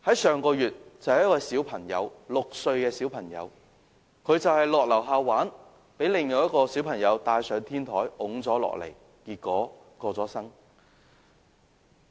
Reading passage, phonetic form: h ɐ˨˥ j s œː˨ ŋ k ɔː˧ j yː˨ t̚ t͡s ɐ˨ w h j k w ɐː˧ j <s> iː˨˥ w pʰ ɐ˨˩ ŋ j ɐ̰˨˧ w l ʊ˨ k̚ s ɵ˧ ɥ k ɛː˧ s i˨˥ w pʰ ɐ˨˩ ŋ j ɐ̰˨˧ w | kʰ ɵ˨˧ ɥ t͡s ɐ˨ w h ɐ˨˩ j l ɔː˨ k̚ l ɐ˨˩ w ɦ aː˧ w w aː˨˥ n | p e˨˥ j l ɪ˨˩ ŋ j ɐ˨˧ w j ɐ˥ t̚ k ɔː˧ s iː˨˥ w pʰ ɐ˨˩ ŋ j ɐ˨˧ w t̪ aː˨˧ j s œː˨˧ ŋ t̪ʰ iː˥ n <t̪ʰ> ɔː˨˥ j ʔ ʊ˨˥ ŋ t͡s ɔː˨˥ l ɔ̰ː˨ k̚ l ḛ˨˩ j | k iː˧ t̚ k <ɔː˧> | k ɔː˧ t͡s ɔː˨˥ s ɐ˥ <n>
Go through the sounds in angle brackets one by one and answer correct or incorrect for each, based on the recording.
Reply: correct, correct, incorrect, incorrect

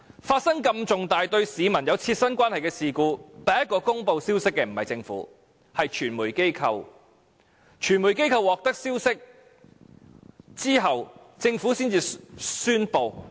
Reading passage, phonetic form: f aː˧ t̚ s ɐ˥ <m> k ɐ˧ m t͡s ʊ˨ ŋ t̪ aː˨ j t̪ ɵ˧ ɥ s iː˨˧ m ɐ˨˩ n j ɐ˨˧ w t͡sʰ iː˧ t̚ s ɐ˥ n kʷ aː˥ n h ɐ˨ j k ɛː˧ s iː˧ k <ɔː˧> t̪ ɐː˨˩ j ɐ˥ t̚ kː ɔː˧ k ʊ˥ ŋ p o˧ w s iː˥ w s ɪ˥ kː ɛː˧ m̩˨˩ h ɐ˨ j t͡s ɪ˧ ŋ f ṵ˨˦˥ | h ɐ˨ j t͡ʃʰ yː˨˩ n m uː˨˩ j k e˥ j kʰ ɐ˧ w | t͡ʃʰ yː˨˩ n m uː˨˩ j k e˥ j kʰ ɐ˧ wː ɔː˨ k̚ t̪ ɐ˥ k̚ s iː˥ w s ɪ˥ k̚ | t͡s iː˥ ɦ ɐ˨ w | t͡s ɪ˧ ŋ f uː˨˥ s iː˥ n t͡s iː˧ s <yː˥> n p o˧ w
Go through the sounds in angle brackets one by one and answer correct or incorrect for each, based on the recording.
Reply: incorrect, incorrect, correct

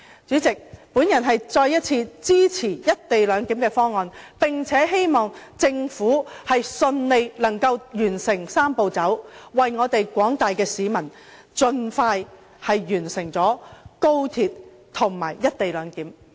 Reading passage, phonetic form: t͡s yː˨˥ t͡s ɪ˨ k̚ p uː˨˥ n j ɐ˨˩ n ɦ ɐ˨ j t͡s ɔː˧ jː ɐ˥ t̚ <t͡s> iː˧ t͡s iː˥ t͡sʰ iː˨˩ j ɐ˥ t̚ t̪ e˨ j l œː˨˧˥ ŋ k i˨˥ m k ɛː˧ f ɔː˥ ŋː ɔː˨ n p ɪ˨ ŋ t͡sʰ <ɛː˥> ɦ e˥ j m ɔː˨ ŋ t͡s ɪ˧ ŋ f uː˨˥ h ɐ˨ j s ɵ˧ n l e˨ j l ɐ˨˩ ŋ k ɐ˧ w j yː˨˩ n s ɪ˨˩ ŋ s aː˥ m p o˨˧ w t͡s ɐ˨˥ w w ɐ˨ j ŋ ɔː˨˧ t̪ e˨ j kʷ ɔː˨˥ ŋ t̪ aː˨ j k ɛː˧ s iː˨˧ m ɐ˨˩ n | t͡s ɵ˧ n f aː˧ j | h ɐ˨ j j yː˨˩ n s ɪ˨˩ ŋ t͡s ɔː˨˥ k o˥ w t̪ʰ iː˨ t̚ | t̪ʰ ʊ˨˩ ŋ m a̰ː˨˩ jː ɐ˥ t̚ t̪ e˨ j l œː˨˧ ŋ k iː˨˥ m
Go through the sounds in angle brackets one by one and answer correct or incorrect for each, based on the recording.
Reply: incorrect, incorrect

